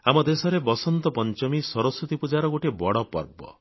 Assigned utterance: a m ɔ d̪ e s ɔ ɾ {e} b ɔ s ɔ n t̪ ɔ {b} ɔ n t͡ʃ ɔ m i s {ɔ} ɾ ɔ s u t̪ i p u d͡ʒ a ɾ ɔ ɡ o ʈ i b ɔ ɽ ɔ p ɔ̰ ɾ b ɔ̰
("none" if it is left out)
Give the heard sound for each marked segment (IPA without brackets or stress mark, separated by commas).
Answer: e, p, ɔ